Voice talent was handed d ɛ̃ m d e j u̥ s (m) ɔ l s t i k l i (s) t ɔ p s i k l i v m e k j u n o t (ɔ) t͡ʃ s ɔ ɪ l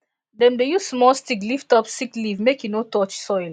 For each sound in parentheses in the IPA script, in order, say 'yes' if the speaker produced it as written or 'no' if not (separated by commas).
yes, no, yes